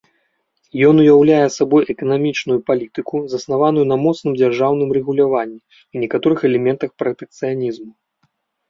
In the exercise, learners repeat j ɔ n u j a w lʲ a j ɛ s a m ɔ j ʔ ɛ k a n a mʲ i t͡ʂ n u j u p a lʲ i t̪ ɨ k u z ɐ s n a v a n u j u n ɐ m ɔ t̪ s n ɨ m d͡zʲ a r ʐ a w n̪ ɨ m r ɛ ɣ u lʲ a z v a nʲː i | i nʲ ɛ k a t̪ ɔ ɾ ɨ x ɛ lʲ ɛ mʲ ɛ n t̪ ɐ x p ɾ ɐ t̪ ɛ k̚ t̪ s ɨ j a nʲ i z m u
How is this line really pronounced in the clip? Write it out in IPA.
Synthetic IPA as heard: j ɔ n u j a w lʲ a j ɛ s a b ɔ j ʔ ɛ k ɐ n a mʲ i t͡ʂ n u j u p a lʲ i t̪ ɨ k u z ɐ s n a v a n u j u n ɐ m ɔ t̪ s n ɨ m d͡zʲ a r ʐ a w n̪ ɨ m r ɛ ɣ u lʲ a v a nʲː i | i nʲ ɛ k a t̪ ɔ ɾ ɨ x ɛ lʲ ɛ mʲ ɛ n t̪ ɐ x p ɾ ɐ t̪ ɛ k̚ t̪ s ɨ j a nʲ i z m u